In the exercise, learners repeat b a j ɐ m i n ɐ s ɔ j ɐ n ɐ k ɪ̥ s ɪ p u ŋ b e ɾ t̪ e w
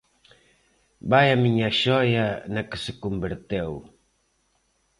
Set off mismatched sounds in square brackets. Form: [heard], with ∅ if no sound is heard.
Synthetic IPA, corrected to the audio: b a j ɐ m i [ɲ] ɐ [ʃ] ɔ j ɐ n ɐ k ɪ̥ s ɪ [k] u [m] b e ɾ t̪ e w